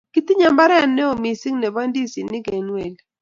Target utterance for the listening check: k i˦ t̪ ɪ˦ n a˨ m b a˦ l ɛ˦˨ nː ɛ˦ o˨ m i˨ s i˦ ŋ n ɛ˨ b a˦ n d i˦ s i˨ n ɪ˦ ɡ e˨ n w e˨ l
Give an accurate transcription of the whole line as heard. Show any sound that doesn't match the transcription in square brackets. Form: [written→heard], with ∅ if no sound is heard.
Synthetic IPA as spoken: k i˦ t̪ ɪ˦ [n→ɲ] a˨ m b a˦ [l→ɾ] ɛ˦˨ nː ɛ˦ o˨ m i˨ s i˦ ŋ n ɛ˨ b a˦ n d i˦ s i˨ n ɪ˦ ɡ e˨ n w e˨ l